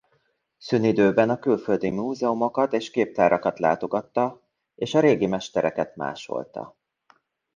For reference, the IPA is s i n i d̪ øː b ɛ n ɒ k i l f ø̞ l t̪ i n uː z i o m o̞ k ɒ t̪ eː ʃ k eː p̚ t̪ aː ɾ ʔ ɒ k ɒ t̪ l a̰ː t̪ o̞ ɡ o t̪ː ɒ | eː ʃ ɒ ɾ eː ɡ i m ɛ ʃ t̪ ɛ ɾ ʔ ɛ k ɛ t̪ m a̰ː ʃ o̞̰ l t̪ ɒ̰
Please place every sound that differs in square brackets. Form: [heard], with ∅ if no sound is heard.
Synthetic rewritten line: s [y] n i d̪ øː b ɛ n ɒ k [y] l f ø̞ l [d̪] i [m] uː z [ɛ] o m o̞ k ɒ t̪ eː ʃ k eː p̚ t̪ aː ɾ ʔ ɒ k ɒ t̪ l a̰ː t̪ o̞ ɡ [ɒ] t̪ː ɒ | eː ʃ ɒ ɾ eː ɡ i m ɛ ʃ t̪ ɛ ɾ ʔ ɛ k ɛ t̪ m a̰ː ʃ o̞̰ l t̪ ɒ̰

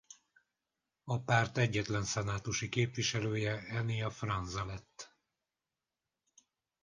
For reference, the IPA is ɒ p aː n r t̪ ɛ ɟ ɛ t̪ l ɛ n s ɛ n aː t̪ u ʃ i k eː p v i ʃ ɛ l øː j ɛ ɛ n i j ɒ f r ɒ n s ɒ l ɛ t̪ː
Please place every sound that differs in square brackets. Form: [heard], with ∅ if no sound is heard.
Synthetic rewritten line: ɒ p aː [∅] r t̪ ɛ [ɟː] ɛ t̪ l ɛ n s ɛ n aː t̪ u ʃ i k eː p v i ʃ ɛ l øː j ɛ ɛ n i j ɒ f r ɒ n [z] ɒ l ɛ t̪ː

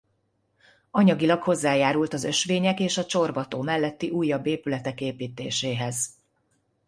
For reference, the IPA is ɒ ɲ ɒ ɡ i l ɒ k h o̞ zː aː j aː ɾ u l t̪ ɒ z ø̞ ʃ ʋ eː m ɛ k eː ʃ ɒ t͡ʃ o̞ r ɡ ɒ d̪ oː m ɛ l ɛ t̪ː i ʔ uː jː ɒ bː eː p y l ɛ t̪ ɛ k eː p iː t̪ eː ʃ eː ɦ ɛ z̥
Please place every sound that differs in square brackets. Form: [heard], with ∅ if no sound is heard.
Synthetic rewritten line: ɒ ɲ ɒ ɡ i l ɒ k h o̞ zː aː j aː ɾ u l t̪ ɒ z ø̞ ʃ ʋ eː [ɲ] ɛ k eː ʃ ɒ t͡ʃ o̞ r [b] ɒ [t̪] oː m ɛ [lː] ɛ t̪ː i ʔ uː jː ɒ bː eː p y l ɛ t̪ ɛ k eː p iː t̪ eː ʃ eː ɦ ɛ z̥

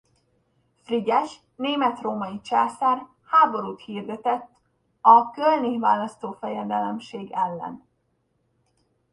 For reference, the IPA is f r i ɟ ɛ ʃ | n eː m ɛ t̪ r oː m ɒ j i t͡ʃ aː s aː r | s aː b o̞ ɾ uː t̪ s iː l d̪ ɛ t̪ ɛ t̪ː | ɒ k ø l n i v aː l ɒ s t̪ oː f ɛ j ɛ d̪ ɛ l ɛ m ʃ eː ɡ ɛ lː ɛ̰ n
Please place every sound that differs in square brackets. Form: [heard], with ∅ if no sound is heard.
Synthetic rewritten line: f r i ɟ ɛ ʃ | n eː m ɛ t̪ r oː m ɒ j i t͡ʃ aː s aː r | [h] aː b o̞ ɾ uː t̪ [h] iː [r] d̪ ɛ t̪ ɛ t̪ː | ɒ k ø l n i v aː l ɒ s t̪ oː f ɛ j ɛ d̪ ɛ l ɛ m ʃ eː ɡ ɛ lː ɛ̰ n

